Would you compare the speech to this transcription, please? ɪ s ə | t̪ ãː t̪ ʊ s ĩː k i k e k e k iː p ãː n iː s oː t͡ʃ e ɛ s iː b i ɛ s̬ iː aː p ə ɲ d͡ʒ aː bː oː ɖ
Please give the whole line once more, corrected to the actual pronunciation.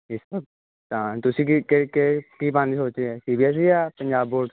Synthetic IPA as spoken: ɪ s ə | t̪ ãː t̪ ʊ s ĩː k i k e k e k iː p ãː n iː s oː t͡ʃ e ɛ s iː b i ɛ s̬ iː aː p ə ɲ d͡ʒ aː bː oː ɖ